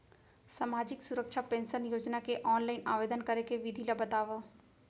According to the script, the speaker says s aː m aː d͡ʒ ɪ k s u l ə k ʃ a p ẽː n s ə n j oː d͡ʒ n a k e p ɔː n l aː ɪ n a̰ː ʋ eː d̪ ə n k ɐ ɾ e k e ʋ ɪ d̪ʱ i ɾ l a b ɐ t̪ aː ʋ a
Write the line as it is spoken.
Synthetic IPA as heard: s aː m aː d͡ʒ ɪ k s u ɾ ə k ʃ a p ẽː n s ə n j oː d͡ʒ n a k e ʔ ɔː n l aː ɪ n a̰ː ʋ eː d̪ ə n k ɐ ɾ e k e ʋ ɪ d̪ʱ i l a b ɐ t̪ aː ʋ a